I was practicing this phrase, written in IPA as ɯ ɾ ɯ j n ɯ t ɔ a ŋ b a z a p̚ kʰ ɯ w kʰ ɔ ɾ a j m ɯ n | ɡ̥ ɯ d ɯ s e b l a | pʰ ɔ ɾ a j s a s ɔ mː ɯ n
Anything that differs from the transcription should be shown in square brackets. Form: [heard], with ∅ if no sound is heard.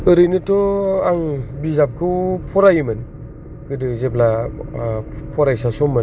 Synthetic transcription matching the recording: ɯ ɾ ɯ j n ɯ t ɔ a ŋ b [i] z a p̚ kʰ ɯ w [pʰ] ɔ ɾ a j m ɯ n | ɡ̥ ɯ d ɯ [z] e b l a | pʰ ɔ ɾ a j s a s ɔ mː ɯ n